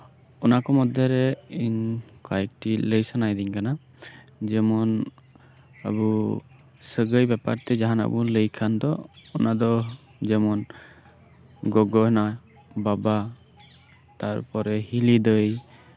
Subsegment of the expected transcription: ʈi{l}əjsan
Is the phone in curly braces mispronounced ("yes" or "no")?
no